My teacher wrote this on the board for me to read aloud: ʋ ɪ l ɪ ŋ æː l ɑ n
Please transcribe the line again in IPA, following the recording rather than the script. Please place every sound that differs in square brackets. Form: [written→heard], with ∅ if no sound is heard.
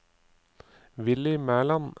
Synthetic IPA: ʋ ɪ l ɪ [ŋ→m] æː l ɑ n